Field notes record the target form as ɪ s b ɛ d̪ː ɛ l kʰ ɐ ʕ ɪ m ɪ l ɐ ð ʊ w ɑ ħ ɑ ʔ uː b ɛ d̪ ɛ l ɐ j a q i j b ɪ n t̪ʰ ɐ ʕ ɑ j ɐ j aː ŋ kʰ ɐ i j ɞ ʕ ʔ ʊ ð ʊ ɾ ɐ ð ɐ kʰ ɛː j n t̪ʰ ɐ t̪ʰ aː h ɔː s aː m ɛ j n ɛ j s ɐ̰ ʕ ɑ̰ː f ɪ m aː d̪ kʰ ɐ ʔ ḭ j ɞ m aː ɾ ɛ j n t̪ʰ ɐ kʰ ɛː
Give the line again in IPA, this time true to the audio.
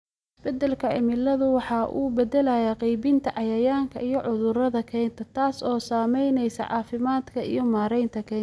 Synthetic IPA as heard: ɪ s b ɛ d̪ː ɛ l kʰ ɐ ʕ ɪ m ɪ l ɐ ð ʊ w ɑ ħ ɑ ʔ uː b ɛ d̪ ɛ l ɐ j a q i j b ɪ n t̪ʰ ɐ ʕ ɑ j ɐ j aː ŋ kʰ ɐ i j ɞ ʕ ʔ ʊ ð ʊ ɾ ɐ ð ɐ kʰ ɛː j n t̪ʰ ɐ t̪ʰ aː s ɔː s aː m ɛ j n ɛ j s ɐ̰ ʕ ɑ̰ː f ɪ m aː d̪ kʰ ɐ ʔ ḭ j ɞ m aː ɾ ɛ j n t̪ʰ ɐ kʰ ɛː